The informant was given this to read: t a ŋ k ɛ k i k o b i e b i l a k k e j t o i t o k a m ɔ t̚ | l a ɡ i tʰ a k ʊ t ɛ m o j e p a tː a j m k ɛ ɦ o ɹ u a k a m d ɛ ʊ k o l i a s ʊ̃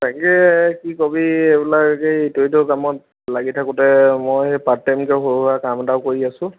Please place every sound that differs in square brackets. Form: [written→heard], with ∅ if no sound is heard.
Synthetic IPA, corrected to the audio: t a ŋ k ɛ k i k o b i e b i l a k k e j t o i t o k a m ɔ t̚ | l a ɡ i tʰ a k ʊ t ɛ m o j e p a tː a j m k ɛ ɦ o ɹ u a k a m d [ɛ→a] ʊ k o [l→ɹ] i a s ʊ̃

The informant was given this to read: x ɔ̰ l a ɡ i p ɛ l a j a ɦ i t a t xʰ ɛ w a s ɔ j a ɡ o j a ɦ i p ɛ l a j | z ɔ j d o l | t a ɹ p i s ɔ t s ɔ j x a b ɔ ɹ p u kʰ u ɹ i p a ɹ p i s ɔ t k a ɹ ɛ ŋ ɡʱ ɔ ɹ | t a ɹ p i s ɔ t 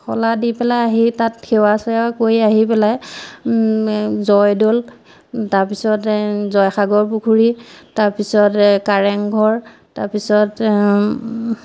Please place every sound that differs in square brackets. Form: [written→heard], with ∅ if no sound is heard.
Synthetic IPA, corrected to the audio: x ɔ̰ l a [ɡ→d] i p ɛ l a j a ɦ i t a t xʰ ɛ w a s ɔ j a [ɡ→k] o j a ɦ i p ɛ l a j | z ɔ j d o l | t a ɹ p i s ɔ t [s→z] ɔ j x a [b→ɡ] ɔ ɹ p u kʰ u ɹ i [p→t] a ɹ p i s ɔ t k a ɹ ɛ ŋ ɡʱ ɔ ɹ | t a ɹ p i s ɔ t

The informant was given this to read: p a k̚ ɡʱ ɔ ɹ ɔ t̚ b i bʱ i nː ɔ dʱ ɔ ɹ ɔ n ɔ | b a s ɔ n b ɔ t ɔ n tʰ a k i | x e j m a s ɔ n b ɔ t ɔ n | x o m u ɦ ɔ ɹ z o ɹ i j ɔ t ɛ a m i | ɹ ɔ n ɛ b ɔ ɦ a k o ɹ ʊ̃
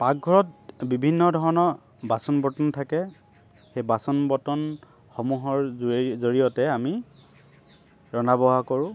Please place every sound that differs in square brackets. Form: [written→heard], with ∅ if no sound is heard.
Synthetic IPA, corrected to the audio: p a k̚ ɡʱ ɔ ɹ ɔ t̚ b i bʱ i nː ɔ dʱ ɔ ɹ ɔ n ɔ | b a s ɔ n b ɔ t ɔ n tʰ a k [i→ɛ] | x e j [m→b] a s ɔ n b ɔ t ɔ n | x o m u ɦ ɔ ɹ z o ɹ i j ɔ t ɛ a m i | ɹ ɔ n [ɛ→a] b ɔ ɦ a k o ɹ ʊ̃

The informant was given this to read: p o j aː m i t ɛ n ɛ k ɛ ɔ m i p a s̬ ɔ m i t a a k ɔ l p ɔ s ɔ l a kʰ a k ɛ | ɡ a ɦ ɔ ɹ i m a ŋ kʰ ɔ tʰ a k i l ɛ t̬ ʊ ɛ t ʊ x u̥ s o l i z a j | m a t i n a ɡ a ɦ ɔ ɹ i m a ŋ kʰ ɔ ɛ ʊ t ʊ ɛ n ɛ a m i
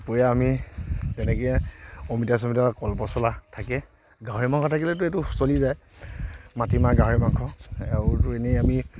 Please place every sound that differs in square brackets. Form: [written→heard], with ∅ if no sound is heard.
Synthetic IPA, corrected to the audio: p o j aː m i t ɛ n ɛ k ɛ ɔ m i [p→t] a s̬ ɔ m i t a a k ɔ l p ɔ s ɔ l a [kʰ→tʰ] a k ɛ | ɡ a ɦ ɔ ɹ i m a ŋ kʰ ɔ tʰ a k i l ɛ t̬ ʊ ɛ t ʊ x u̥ s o l i z a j | m a t i [n→m] a ɡ a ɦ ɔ ɹ i m a ŋ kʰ ɔ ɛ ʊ t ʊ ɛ n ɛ a m i

